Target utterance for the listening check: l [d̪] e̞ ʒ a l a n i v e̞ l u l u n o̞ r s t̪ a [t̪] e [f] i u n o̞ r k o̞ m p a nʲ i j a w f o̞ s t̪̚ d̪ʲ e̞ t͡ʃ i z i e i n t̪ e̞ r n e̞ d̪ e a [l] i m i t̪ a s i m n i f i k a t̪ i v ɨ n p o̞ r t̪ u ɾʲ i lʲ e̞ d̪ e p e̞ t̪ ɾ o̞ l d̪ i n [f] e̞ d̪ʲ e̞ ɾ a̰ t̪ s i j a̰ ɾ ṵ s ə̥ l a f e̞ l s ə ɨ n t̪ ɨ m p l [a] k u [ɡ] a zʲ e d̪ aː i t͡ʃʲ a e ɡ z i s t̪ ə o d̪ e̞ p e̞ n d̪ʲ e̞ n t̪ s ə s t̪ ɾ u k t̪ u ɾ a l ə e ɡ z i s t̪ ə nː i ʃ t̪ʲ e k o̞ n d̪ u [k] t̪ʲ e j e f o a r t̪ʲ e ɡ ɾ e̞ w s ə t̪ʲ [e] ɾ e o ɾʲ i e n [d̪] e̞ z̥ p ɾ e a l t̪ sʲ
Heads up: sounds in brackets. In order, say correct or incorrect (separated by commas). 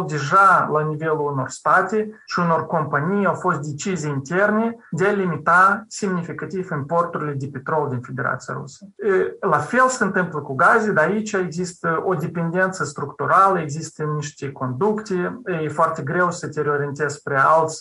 correct, correct, incorrect, correct, correct, incorrect, correct, correct, correct, incorrect